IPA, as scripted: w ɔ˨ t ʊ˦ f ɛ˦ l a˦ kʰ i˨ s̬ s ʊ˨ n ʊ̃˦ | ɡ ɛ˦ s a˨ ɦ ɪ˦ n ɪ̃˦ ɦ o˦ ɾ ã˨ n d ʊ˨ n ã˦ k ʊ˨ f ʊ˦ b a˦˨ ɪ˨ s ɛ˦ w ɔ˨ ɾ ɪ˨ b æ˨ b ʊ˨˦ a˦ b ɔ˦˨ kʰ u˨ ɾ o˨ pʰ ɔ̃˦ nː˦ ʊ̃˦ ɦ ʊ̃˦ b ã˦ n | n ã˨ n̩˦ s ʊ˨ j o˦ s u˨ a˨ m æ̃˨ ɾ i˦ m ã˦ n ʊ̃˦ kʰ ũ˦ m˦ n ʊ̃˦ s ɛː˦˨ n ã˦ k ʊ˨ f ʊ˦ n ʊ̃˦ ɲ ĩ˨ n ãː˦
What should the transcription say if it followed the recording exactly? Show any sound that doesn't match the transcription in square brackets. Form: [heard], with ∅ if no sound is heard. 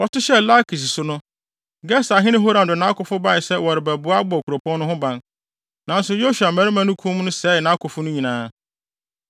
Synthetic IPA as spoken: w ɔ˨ t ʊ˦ [ɕ] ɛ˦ l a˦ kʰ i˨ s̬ s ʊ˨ n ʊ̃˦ | ɡ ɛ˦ s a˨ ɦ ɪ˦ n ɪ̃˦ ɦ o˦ ɾ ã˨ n d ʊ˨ n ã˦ k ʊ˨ f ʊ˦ b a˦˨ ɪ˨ s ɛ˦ w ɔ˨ ɾ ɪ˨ b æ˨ b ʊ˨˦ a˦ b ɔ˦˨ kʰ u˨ ɾ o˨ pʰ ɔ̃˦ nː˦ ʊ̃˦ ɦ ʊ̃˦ b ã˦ n | n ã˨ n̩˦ s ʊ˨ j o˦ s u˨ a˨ m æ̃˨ ɾ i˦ m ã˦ n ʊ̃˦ kʰ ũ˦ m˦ n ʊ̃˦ s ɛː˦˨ n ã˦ k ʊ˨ f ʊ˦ n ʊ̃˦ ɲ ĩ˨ n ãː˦